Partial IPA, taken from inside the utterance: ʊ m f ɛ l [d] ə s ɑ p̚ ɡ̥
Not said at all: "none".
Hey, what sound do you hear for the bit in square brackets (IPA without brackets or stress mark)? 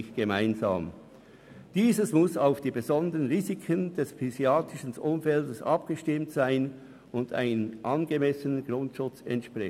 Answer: d